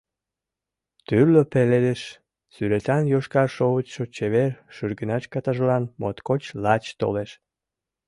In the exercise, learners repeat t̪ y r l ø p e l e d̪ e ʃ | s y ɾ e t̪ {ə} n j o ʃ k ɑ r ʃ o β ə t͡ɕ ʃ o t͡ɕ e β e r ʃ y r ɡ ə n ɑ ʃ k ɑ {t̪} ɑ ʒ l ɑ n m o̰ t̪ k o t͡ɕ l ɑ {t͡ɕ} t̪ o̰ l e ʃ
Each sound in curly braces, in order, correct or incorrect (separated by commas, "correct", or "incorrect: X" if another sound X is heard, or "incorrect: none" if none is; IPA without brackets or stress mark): incorrect: ɑ, correct, correct